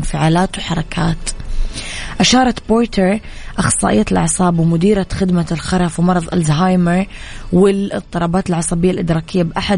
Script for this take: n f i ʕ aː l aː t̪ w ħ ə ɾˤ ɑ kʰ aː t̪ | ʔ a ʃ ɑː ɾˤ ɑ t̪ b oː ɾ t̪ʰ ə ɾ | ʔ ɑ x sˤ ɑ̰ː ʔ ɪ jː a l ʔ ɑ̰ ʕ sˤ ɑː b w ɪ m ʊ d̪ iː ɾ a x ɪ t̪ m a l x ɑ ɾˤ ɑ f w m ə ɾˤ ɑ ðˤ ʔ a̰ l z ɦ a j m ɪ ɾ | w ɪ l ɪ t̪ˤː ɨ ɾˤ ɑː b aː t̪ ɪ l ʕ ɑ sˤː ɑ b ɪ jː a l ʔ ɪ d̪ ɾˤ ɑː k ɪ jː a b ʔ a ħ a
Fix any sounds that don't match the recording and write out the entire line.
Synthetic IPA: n f ɪ ʕ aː l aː t̪ w ħ ɑ ɾˤ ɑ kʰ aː t̪ | ʔ a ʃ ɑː ɾˤ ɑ t̪ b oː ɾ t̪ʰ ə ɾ | ʔ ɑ x sˤ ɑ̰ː ʔ ɪ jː a l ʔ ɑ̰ ʕ sˤ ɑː b w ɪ m ʊ d̪ iː ɾ a x ɪ d̪ m a l x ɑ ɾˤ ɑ f w m ɑ ɾˤ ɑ ðˤ ʔ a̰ l z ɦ a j m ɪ ɾ | w ɪ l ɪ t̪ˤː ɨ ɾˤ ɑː b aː t̪ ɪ l ʕ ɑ sˤ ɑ b ɪ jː a l ʔ ɪ d̪ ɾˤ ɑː k ɪ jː a b ʔ a ħ a